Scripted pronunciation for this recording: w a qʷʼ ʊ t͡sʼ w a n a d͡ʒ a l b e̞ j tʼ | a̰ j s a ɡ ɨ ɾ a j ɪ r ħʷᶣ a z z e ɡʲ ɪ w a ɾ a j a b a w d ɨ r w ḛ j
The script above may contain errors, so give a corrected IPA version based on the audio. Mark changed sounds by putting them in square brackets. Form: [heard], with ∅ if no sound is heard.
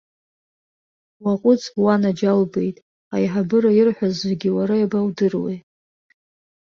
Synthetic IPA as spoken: w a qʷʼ ʊ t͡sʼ w a n a d͡ʒ a l b e̞ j tʼ | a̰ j [ħ] a [b] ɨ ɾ a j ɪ r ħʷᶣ a z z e ɡʲ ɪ w a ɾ a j a b a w d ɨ r w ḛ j